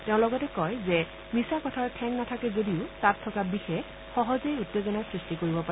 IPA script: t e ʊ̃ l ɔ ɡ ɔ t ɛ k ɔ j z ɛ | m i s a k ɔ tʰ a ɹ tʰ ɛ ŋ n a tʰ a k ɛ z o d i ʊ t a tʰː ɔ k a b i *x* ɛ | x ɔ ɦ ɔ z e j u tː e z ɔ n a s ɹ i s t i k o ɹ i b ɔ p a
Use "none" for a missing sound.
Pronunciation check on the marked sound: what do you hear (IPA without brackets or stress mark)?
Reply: x